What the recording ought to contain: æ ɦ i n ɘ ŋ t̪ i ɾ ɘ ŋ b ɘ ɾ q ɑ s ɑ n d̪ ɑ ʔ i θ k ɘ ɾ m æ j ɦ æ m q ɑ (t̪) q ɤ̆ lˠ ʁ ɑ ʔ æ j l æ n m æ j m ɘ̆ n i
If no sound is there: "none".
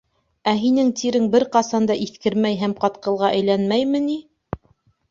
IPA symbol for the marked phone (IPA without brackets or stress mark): t̪